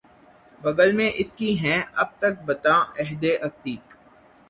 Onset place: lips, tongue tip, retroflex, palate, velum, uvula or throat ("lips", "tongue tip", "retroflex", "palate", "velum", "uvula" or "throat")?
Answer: lips